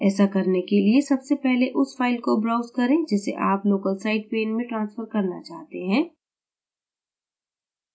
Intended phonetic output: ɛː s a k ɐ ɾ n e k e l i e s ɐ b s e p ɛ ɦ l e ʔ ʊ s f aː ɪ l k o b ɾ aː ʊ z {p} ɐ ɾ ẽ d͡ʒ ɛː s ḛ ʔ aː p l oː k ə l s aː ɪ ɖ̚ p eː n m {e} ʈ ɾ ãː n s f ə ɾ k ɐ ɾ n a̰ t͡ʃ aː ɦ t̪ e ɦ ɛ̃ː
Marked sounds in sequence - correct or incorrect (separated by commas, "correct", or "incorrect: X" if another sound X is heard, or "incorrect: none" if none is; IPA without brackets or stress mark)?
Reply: incorrect: k, incorrect: ẽ